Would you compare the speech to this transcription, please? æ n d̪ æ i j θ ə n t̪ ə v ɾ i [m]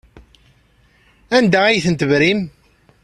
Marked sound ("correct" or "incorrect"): correct